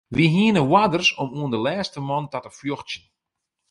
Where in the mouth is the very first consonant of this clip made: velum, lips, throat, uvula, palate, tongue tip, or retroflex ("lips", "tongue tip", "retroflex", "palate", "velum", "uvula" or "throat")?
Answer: lips